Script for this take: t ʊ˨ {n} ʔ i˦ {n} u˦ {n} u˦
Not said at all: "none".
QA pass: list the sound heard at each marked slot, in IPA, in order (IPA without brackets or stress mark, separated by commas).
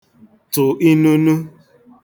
none, n, n